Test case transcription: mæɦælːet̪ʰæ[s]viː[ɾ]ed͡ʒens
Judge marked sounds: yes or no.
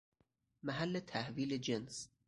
no, no

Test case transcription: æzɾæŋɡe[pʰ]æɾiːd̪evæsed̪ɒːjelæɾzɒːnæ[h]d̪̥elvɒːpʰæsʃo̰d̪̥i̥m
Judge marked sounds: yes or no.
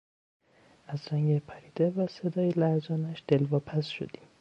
yes, no

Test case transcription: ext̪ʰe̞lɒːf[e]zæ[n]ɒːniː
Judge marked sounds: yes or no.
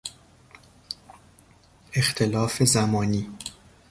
yes, no

